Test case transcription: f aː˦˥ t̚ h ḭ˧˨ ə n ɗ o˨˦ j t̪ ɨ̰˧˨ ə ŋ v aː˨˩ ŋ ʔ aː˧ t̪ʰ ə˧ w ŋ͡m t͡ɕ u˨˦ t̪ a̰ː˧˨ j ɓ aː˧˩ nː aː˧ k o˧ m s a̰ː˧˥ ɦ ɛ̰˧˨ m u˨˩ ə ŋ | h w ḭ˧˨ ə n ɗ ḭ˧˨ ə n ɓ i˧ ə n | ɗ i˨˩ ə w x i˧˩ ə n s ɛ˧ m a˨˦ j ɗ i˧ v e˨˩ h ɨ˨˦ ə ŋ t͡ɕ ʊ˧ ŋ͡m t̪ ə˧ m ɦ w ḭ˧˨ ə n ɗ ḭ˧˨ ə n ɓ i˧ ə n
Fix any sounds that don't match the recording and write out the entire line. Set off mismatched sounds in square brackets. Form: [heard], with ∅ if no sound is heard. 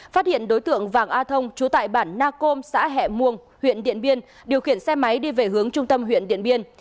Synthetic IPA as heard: f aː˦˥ t̚ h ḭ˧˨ ə n ɗ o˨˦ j t̪ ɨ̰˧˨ ə ŋ v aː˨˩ ŋ ʔ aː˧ t̪ʰ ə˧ w ŋ͡m t͡ɕ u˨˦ t̪ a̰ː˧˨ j ɓ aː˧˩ nː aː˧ k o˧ m s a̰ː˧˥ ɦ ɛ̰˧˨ m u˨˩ ə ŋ | h w ḭ˧˨ ə n ɗ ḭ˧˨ ə n ɓ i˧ ə n | ɗ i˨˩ ə w x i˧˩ ə n s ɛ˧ m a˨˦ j ɗ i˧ v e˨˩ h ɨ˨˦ ə ŋ t͡ɕ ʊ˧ ŋ͡m t̪ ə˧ m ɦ w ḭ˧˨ ə n ɗ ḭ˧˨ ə n ɓ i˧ ə n